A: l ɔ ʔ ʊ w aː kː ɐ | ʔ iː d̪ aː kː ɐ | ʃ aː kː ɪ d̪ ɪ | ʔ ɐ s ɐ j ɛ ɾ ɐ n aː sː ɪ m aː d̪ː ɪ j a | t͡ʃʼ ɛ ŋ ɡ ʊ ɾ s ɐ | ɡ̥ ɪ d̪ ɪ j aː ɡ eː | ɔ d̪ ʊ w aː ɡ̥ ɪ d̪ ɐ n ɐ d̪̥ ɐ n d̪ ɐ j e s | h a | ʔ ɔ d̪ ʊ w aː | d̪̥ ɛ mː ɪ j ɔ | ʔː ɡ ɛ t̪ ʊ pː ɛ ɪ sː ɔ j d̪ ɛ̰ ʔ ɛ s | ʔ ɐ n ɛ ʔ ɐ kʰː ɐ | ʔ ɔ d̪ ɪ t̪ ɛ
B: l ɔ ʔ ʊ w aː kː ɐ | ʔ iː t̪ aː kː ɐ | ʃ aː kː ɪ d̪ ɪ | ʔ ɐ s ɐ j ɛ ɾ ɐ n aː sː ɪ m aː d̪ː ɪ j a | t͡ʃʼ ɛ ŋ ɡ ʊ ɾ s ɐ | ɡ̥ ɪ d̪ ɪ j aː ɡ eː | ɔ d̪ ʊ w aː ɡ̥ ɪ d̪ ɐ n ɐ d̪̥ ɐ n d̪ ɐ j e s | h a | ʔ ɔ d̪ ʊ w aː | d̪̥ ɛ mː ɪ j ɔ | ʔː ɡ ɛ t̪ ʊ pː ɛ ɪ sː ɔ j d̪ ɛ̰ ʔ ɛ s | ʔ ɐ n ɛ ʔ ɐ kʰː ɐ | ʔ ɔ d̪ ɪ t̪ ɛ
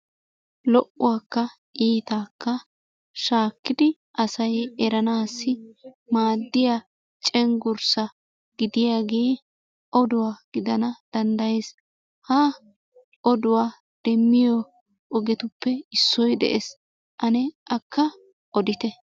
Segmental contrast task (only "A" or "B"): B